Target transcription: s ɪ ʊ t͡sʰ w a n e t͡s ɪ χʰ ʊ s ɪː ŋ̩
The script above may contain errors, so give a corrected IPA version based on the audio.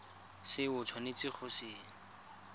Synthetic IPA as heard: s ɪ ʊ t͡sʰ w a n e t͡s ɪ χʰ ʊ s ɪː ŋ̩